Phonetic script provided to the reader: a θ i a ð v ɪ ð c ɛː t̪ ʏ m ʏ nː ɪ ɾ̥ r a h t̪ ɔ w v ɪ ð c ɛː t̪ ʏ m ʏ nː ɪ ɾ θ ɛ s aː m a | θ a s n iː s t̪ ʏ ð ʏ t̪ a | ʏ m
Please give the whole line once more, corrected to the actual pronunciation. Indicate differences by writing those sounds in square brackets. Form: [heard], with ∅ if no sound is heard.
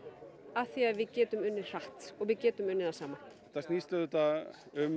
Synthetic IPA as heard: a θ i a ð v ɪ ð c ɛː t̪ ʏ m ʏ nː ɪ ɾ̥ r a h t̪ ɔ [ɣ] v ɪ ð c ɛː t̪ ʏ m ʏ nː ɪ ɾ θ [a] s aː m a | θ a s n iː s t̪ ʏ ð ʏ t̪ a | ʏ m